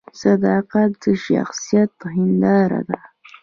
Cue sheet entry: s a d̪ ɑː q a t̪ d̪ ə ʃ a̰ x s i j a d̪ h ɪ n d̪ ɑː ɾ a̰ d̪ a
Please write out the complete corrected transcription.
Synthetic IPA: s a d̪ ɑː q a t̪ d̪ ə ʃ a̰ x s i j a t̪ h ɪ n d̪ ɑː ɾ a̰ d̪ a